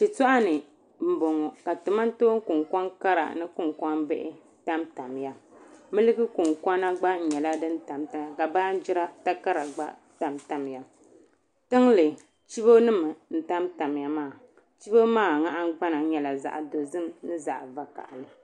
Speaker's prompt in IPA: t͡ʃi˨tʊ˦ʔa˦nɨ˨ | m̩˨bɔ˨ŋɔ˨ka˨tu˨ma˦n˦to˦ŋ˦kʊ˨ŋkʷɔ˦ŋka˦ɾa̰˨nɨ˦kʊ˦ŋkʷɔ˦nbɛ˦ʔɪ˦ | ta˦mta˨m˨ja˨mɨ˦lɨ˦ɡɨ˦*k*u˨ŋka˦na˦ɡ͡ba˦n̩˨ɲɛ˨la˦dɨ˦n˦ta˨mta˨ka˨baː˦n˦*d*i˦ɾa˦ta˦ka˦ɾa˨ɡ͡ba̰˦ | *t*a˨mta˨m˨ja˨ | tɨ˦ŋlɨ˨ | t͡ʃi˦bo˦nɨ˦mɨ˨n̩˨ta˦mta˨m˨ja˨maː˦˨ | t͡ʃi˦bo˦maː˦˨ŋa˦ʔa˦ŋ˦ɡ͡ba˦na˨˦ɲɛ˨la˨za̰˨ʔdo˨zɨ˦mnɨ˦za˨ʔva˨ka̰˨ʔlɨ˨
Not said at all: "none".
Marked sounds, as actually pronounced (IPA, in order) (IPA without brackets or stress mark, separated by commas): k, d͡ʒ, t